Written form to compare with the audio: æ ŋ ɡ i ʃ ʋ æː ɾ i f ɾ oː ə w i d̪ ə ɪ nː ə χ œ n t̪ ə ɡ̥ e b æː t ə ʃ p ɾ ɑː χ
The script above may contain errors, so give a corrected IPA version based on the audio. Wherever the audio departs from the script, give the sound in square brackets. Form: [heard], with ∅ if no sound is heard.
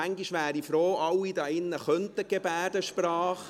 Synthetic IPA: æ ŋ ɡ i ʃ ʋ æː ɾ i f ɾ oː [ɑ] w i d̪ [ɑ] ɪ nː ə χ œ n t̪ ə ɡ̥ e b æː [d] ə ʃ p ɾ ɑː χ

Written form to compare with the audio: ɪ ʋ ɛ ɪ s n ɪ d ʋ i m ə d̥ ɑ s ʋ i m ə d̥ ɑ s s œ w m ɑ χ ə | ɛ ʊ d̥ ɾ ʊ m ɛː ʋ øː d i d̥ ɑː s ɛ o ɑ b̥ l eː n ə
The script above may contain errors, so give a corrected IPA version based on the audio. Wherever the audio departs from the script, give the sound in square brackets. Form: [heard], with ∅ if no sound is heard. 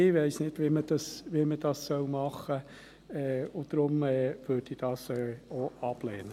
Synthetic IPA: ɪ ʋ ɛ ɪ s n ɪ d ʋ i m ə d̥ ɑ s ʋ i m ə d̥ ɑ s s œ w m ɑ χ ə | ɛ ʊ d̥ ɾ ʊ m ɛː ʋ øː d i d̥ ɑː s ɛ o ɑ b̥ l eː n ə

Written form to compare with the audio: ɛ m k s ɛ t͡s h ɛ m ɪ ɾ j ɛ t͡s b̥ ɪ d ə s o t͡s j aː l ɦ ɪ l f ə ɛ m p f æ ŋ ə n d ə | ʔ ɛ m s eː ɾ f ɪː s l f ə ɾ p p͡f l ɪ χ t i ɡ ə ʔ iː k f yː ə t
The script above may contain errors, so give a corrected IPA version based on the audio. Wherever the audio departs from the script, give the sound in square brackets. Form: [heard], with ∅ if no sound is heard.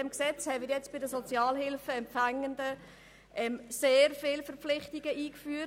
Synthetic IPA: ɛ m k s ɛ t͡s h ɛ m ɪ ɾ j ɛ t͡s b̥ ɪ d ə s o t͡s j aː l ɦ ɪ l f ə ɛ m p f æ ŋ ə n d ə | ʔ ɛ m s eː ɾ f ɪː [∅] l f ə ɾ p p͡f l ɪ χ t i ɡ ə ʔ iː k f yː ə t

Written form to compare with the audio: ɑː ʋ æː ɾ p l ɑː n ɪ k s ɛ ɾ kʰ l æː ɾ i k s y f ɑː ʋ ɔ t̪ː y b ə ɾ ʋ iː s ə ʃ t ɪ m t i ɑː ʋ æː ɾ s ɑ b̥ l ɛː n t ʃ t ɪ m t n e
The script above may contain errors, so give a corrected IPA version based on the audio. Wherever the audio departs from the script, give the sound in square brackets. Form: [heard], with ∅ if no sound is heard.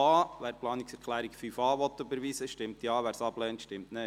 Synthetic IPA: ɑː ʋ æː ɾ p l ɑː n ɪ k s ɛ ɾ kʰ l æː ɾ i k [f] y f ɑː ʋ ɔ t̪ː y b ə ɾ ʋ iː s ə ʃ t ɪ m t [j] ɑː ʋ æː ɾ s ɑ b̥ l ɛː n t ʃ t ɪ m t n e

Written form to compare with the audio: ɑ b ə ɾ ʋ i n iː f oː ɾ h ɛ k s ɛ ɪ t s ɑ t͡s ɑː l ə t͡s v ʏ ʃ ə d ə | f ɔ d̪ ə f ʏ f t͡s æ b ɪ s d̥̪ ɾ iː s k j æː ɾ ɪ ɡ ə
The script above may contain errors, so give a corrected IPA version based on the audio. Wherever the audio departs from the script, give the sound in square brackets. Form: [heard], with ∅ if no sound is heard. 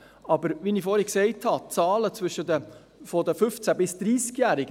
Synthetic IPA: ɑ b ə ɾ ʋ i n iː f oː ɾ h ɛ k s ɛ ɪ t [h] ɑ t͡s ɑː l ə t͡s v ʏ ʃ ə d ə | f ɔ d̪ ə f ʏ f t͡s æ b ɪ s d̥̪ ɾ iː s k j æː ɾ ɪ ɡ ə

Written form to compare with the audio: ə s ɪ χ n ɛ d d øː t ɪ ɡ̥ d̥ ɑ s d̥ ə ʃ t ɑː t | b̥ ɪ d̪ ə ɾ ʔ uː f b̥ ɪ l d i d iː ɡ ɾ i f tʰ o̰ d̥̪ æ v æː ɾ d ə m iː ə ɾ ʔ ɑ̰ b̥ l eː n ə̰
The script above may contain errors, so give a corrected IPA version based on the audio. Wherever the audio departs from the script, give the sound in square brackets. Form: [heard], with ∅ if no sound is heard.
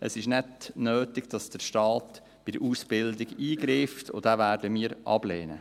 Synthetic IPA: ə s ɪ [ʃ] n ɛ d [n] øː t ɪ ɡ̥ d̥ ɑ s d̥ ə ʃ t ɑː t | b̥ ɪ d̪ ə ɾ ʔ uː [s] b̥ ɪ l d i [ɡ] iː ɡ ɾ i f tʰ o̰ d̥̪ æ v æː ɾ d ə m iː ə ɾ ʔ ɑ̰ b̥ l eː n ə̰

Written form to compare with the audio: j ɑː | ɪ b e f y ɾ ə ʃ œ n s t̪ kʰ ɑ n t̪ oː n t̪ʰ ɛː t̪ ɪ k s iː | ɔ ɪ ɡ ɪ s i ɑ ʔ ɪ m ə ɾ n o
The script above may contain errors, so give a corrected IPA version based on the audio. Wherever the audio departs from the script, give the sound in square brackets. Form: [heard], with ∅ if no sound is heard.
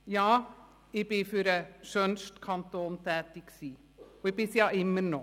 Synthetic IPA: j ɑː | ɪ b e f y ɾ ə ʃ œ n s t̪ kʰ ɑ n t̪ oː n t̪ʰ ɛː t̪ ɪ k s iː | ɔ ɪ [b] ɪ s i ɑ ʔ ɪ m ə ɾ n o

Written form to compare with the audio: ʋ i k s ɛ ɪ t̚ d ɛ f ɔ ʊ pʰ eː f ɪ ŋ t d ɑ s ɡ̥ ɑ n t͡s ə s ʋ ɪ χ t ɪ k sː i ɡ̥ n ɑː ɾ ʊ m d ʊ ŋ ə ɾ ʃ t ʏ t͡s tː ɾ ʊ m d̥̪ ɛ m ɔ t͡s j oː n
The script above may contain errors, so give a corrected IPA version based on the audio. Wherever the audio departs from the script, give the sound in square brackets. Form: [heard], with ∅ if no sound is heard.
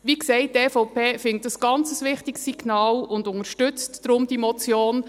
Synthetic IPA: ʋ i k s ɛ ɪ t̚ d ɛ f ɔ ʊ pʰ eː f ɪ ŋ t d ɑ s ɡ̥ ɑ n t͡s ə s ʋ ɪ χ t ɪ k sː i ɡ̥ n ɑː [l] ʊ [n] d ʊ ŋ ə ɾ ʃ t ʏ t͡s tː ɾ ʊ m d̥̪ [i] m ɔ t͡s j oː n

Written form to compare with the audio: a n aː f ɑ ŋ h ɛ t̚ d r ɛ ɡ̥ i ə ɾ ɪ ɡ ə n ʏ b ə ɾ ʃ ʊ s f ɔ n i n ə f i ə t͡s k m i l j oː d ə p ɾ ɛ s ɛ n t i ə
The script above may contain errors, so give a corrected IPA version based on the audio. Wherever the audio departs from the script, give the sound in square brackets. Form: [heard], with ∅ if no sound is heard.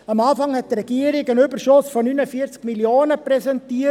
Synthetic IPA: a [m] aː f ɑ ŋ h ɛ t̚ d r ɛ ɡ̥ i ə ɾ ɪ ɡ ə n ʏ b ə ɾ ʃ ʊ s f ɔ n [y] n ə f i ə t͡s k m i l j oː [n] ə p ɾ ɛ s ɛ n t i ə

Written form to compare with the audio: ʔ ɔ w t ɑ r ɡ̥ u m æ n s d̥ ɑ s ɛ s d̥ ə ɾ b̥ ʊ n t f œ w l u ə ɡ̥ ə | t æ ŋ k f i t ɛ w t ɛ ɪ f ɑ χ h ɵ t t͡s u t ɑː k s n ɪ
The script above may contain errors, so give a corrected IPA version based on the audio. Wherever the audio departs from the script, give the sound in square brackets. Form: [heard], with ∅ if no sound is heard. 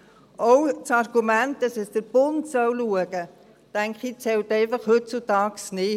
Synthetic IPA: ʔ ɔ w [t͡s] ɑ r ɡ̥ u m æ n [t] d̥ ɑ s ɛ s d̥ ə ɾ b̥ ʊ n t [s] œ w l u ə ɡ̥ ə | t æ ŋ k [χ] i [t͡s] ɛ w t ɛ ɪ f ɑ χ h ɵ t t͡s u t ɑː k s n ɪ

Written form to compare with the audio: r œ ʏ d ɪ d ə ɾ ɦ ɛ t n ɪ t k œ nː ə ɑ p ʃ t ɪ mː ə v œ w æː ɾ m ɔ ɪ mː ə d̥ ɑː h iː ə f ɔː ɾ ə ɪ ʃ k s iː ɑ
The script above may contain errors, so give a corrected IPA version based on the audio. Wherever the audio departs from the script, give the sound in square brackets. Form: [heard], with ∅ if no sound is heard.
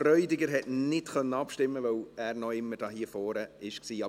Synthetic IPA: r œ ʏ d ɪ [ɡ] ə ɾ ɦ ɛ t n ɪ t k œ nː ə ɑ p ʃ t ɪ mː ə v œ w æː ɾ [n] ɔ ɪ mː ə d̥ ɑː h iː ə f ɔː ɾ ə ɪ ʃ k s iː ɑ

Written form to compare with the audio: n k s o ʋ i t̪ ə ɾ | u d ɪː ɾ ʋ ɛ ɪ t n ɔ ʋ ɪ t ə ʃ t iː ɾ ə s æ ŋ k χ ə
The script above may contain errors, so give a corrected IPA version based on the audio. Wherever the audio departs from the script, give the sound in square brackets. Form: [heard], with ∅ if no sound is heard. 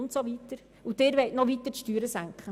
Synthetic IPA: n [t] s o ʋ i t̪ ə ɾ | u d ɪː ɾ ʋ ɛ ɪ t n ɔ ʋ [i] t ə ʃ t [yː] ɾ ə s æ ŋ k χ ə

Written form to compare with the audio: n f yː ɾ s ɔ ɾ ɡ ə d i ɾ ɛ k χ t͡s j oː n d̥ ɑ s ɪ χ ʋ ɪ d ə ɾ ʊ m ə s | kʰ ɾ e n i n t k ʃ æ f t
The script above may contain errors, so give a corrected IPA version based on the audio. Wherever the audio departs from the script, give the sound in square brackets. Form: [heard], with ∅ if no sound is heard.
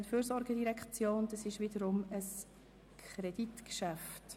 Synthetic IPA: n f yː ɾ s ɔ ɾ ɡ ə d i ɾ ɛ k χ t͡s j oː n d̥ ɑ s ɪ [ʃ] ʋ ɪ d ə ɾ ʊ m ə s | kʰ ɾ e [d] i [∅] t k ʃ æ f t

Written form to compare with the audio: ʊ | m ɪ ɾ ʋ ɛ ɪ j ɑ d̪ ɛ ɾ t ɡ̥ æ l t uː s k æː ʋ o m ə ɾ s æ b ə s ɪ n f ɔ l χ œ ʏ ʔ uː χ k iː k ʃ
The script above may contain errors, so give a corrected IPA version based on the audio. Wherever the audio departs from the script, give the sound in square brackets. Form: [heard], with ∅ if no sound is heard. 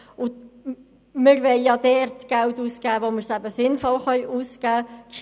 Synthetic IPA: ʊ | m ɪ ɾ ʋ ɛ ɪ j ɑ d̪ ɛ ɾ t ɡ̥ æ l t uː s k æː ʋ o m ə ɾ s æ b ə s ɪ n f ɔ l χ œ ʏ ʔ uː [s] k [æː] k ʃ

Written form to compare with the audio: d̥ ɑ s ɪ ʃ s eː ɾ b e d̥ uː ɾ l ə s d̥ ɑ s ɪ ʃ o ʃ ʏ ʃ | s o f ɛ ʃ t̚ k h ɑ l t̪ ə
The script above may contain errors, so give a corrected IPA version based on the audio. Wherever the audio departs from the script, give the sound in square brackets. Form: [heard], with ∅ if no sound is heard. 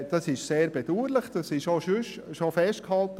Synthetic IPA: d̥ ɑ s ɪ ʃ s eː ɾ b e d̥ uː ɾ l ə [χ] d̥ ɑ s ɪ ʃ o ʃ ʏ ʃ | [ʃ] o f ɛ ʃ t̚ k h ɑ l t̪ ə

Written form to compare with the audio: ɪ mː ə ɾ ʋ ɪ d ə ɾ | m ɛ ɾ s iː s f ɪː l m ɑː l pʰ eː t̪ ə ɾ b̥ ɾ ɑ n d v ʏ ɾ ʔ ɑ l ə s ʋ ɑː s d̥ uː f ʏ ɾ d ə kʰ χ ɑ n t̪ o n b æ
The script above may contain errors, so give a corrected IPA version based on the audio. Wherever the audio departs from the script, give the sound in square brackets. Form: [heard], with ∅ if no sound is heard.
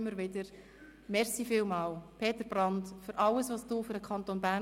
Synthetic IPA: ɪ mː ə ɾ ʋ ɪ d ə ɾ | m ɛ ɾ s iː [∅] f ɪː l m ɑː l pʰ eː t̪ ə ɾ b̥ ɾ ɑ n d [f] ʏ ɾ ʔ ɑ l ə s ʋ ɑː s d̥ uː f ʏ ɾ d ə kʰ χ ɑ n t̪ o n b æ

